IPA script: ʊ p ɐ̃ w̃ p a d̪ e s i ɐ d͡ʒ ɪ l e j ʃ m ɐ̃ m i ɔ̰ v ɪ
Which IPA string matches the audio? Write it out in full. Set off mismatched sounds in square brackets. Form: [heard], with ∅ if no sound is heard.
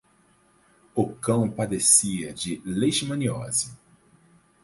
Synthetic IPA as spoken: ʊ [k] ɐ̃ w̃ p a d̪ e s i ɐ d͡ʒ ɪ l e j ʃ m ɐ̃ [n] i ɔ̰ [z] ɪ